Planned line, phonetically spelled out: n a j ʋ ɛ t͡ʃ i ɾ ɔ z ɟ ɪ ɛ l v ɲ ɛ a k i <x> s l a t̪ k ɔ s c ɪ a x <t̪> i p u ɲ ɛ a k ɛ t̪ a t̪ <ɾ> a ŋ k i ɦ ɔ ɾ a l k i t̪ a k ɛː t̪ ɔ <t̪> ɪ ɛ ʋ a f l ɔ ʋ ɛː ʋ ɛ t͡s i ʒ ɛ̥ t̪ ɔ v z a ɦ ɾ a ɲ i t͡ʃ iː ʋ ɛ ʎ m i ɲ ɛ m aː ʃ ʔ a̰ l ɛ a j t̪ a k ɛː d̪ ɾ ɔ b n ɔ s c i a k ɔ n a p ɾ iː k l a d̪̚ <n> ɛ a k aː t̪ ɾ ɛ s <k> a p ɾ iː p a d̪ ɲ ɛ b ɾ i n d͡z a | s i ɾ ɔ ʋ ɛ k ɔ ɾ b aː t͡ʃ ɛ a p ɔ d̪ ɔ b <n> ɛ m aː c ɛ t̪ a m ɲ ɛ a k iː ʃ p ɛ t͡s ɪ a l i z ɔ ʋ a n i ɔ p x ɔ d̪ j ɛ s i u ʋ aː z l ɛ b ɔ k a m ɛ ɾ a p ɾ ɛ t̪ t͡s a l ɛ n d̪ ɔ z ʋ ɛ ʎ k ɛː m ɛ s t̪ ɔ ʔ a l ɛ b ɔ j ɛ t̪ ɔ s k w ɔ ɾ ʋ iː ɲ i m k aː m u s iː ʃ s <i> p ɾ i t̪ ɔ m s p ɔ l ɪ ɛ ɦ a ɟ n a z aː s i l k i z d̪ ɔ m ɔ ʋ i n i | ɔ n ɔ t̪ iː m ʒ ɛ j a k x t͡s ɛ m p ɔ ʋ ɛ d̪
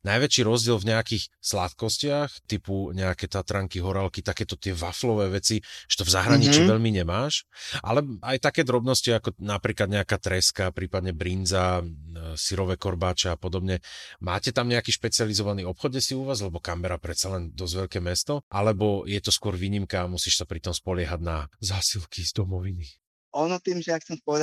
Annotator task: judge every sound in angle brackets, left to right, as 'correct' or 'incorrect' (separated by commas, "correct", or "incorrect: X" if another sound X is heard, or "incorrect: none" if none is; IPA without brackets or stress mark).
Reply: correct, correct, correct, correct, incorrect: ɲ, correct, incorrect: ɲ, incorrect: a